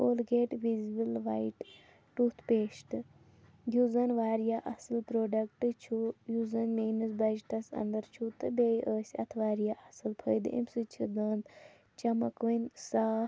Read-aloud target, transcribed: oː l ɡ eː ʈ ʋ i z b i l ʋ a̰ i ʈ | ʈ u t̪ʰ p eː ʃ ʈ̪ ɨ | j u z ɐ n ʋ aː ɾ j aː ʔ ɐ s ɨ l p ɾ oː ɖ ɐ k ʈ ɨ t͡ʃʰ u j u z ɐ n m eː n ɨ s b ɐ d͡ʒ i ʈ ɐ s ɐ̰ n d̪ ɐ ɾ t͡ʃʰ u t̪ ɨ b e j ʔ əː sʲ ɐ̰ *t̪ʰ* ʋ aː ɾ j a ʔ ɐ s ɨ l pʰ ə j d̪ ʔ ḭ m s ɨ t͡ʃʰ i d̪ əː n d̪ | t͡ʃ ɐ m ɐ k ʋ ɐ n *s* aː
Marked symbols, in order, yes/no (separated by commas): yes, yes